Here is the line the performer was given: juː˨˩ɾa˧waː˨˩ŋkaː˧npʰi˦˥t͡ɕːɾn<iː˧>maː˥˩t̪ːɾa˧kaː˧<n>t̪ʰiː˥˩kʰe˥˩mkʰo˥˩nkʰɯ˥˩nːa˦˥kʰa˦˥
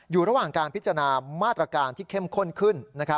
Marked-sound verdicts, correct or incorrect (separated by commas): incorrect, correct